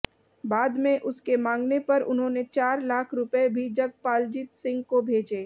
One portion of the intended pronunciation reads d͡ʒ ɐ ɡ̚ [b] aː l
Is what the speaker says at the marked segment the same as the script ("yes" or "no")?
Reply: no